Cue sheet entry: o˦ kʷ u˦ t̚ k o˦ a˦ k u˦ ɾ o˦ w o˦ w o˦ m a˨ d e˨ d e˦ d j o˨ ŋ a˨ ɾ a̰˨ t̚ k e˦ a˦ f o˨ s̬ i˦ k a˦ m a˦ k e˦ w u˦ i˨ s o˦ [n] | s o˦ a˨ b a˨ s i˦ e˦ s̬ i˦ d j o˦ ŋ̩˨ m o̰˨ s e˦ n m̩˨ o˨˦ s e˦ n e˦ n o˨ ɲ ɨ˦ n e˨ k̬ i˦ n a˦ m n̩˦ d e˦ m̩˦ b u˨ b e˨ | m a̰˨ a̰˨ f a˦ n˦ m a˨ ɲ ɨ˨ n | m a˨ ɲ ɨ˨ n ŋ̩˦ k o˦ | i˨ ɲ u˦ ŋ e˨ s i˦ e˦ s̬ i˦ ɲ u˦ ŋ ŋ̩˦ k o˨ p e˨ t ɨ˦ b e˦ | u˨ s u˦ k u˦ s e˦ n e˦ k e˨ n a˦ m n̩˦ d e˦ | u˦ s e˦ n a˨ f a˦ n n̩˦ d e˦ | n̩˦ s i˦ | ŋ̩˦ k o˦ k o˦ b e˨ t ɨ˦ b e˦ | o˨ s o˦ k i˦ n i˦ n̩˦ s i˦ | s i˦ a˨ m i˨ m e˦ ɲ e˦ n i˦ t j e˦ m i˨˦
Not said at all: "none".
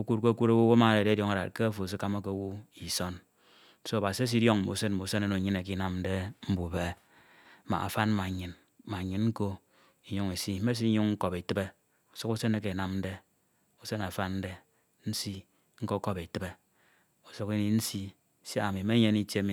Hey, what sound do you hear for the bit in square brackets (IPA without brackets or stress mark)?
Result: n